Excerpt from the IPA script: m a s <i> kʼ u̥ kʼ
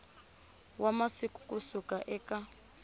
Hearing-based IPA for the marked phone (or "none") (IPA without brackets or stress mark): i